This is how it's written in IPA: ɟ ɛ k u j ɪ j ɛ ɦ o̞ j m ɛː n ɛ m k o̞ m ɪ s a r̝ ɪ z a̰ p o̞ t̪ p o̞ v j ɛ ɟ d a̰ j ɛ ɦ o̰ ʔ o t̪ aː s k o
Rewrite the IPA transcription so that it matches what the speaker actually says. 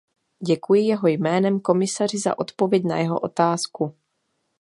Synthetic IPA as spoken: ɟ ɛ k u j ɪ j ɛ ɦ o̞ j m ɛː n ɛ m k o̞ m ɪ s a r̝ ɪ z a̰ ʔ o̞ t̪ p o̞ v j ɛ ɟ n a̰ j ɛ ɦ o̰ ʔ o t̪ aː s k u